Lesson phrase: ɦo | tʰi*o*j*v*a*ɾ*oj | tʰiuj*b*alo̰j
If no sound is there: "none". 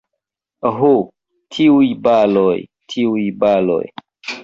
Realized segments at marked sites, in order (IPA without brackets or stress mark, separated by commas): u, b, l, b